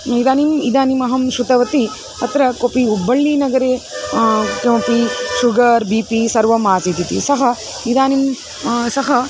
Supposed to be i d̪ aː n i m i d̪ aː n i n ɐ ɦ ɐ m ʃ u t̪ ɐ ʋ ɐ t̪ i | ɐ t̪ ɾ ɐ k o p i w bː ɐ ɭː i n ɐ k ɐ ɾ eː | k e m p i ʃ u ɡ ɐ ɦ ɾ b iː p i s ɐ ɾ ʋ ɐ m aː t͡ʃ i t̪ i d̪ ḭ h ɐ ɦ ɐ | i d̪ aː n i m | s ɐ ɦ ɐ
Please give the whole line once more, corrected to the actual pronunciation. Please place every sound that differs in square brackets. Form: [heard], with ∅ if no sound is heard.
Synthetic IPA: i d̪ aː n i m i d̪ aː n i [m] ɐ ɦ ɐ m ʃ u t̪ ɐ ʋ ɐ t̪ i | ɐ t̪ ɾ ɐ k o p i [u] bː ɐ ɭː i n ɐ [ɡ] ɐ ɾ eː | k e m p i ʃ u ɡ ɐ [∅] ɾ b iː p i s ɐ ɾ ʋ ɐ m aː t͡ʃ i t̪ i [t̪] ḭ [s] ɐ ɦ ɐ | i d̪ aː n i m | s ɐ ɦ ɐ